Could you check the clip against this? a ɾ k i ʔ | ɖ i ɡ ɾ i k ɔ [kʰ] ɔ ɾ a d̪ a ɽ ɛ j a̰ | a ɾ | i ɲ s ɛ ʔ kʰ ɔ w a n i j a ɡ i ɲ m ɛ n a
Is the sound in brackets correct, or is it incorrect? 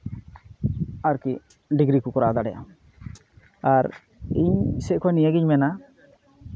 incorrect